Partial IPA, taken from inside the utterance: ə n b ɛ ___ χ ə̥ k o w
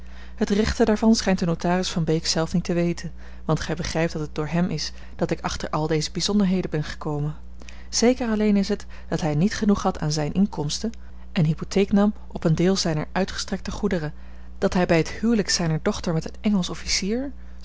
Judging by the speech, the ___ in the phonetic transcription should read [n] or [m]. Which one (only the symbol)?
n